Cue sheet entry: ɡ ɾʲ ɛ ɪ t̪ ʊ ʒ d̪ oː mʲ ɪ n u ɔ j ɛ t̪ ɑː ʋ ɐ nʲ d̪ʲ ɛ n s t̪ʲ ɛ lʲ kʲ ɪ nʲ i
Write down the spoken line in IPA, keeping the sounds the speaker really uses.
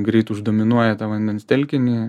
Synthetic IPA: ɡ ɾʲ ɛ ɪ t̪ ʊ ʒ d̪ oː mʲ ɪ n u ɔ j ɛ t̪ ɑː ʋ ɐ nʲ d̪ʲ ɛ n s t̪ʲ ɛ lʲ kʲ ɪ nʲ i